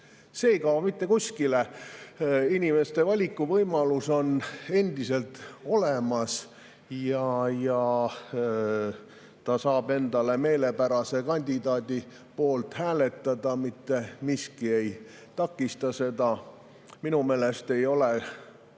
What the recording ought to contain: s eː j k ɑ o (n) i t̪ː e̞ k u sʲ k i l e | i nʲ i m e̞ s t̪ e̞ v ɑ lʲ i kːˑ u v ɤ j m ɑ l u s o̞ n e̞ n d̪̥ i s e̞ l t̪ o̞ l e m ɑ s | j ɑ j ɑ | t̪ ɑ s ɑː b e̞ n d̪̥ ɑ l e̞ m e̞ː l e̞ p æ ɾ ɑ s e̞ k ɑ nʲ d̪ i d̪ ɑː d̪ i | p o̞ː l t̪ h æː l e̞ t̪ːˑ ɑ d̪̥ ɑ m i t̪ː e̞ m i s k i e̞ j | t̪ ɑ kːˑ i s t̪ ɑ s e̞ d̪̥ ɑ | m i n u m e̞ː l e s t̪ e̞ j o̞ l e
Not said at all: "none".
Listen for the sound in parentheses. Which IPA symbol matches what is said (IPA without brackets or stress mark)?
m